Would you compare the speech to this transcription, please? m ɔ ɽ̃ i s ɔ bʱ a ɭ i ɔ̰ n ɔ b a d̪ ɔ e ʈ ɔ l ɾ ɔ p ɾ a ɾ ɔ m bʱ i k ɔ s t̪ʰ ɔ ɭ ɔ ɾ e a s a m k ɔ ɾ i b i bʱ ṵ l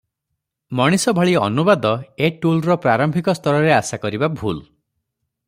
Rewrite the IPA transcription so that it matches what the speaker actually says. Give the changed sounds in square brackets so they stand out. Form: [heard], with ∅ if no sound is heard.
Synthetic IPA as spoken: m ɔ ɽ̃ i s ɔ bʱ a ɭ i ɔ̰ n [u] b a d̪ ɔ e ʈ [u] l ɾ ɔ p ɾ a ɾ ɔ m bʱ i k ɔ s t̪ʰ ɔ [ɾ] ɔ ɾ e a s a [∅] k ɔ ɾ i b [a] bʱ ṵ l